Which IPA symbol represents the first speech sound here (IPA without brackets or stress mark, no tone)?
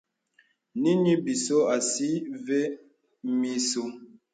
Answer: n